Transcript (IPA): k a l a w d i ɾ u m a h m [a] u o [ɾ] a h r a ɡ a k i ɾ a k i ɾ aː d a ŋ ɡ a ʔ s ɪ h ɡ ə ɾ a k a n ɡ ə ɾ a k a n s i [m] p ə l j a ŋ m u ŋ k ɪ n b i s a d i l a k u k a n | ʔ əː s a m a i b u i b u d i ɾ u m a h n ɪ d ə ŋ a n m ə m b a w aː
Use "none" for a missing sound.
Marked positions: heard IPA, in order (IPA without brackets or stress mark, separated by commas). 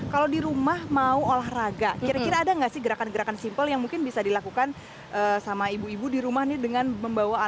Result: a, l, m